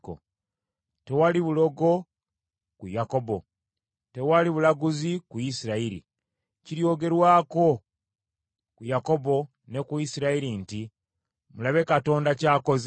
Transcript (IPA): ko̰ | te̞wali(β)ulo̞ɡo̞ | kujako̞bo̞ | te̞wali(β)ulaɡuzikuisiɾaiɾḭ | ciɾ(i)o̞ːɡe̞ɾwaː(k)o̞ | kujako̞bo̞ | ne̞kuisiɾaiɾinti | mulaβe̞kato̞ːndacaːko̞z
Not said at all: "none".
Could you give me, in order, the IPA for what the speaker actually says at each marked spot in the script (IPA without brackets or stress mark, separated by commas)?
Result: β, β, j, k